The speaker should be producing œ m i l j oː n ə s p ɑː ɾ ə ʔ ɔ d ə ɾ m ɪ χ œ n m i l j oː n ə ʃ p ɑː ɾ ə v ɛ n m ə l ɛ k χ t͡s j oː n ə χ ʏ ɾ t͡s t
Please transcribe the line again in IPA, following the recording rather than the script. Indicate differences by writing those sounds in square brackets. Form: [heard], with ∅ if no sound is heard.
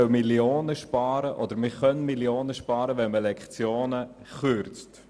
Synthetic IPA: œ m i l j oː n ə [ʃ] p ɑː ɾ ə ʔ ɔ d ə ɾ m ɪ χ œ n m i l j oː n ə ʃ p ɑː ɾ ə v ɛ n m ə l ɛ k χ t͡s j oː n ə χ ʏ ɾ t͡s t